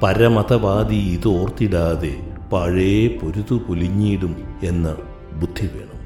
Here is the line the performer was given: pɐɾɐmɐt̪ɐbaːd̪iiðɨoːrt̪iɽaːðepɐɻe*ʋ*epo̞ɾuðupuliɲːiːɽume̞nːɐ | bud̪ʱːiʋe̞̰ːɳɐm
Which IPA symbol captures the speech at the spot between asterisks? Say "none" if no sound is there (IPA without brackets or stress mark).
none